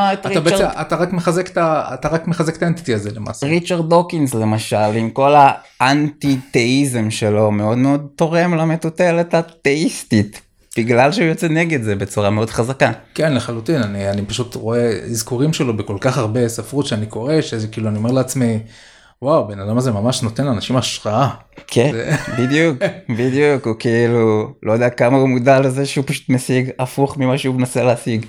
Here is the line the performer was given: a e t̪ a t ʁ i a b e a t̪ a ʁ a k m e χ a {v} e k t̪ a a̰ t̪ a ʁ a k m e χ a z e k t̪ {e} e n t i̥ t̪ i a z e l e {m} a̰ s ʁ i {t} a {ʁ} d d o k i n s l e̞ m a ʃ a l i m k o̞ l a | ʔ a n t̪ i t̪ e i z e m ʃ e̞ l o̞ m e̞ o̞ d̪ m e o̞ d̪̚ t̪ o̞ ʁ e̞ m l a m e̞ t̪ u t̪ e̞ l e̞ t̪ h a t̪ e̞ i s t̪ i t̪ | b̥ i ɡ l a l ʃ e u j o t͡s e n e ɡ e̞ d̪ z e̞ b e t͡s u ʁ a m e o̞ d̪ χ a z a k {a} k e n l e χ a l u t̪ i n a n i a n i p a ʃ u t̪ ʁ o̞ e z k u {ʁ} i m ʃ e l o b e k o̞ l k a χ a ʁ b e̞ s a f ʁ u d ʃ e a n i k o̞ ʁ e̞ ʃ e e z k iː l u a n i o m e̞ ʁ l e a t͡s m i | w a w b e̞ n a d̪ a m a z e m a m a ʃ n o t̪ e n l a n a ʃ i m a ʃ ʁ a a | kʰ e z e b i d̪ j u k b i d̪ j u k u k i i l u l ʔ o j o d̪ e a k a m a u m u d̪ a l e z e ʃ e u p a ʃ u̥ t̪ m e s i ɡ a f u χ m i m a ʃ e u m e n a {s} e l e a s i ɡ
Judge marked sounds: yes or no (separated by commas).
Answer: no, no, yes, no, yes, yes, yes, yes